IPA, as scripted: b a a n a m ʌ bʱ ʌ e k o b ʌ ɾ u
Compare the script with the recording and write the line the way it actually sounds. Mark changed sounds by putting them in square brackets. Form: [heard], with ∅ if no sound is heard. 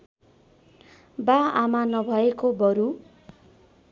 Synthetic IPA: b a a [m] a [n] ʌ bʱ ʌ e k o b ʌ ɾ u